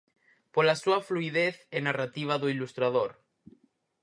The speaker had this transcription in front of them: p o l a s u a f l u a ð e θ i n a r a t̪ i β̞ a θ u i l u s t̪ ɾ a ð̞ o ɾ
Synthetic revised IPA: p o l a s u a f l u i ð e θ e n a r a t̪ i β̞ a ð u i l u s t̪ ɾ a ð̞ o ɾ

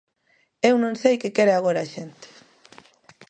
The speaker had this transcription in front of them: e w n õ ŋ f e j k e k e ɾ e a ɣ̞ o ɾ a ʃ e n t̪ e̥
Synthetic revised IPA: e w n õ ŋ s e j k e k e ɾ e a ɣ̞ o ɾ a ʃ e n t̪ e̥

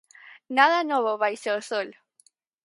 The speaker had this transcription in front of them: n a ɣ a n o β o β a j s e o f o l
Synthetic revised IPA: n a ð a n o β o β a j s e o s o l

